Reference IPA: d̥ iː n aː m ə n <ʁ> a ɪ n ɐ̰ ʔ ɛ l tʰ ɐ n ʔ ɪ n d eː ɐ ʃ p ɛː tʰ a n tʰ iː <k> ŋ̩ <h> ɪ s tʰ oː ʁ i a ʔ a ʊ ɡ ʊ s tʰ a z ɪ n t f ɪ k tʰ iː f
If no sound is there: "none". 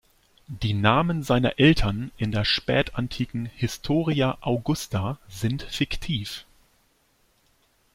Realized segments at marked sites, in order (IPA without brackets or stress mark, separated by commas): z, k, h